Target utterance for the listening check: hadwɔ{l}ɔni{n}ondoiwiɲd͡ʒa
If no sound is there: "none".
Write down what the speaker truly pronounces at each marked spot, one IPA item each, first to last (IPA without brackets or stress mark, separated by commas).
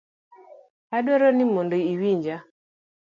ɾ, m